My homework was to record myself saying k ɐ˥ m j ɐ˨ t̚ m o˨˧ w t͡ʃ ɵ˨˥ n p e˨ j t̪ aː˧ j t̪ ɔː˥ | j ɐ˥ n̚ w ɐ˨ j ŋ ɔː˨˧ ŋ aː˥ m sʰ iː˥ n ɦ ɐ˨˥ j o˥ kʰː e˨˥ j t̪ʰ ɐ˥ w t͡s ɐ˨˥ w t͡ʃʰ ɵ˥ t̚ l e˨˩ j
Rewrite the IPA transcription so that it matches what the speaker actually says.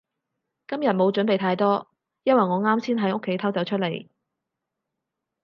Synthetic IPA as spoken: k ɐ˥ m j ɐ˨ t̚ m o˨˧ w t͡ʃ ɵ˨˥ n p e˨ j t̪ʰ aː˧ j t̪ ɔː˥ | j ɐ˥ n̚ w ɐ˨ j ŋ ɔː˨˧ ŋ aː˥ m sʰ iː˥ n ɦ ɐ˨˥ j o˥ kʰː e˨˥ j t̪ʰ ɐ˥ w t͡s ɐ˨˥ w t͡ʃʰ ɵ˥ t̚ l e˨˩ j